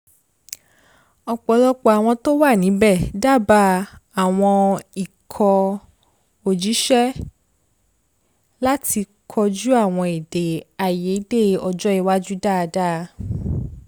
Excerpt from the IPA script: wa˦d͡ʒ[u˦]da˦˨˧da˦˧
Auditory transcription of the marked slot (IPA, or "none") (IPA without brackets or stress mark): u˦